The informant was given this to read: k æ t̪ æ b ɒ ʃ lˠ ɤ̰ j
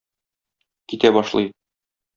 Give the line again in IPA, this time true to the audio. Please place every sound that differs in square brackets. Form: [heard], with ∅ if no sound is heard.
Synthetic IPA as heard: k [i] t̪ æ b ɒ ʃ lˠ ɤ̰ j